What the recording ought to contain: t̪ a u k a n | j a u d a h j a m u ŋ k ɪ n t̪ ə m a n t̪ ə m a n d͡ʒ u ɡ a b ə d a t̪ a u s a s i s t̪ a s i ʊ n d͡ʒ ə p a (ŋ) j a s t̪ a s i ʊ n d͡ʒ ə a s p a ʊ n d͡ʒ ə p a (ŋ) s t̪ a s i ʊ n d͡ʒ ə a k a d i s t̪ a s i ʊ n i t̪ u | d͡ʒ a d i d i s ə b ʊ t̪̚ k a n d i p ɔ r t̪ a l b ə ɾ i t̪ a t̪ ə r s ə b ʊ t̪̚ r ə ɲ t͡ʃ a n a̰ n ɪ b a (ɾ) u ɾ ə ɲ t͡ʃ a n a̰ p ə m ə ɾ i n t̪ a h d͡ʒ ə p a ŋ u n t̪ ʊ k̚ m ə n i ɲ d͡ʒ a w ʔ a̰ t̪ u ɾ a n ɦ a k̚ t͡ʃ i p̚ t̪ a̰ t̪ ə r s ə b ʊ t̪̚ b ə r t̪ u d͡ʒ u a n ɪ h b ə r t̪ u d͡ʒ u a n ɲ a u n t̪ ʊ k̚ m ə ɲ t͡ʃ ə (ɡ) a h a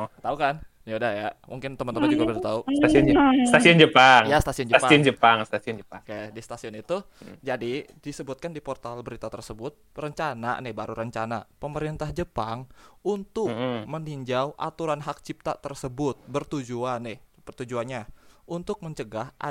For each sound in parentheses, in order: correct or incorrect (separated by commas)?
correct, correct, correct, correct